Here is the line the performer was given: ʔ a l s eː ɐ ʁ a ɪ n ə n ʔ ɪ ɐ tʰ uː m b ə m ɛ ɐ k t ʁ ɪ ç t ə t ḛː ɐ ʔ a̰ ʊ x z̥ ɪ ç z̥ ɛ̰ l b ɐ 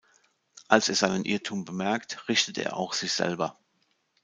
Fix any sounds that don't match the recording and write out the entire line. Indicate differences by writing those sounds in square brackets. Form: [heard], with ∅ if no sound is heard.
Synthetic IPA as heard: ʔ a l s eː ɐ [z] a ɪ n ə n ʔ ɪ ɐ tʰ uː m b ə m ɛ ɐ k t ʁ ɪ ç t ə t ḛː ɐ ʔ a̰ ʊ x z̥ ɪ ç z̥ ɛ̰ l b ɐ